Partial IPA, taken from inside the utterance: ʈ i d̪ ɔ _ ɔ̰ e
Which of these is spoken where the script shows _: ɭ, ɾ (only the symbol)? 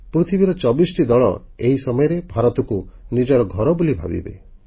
ɭ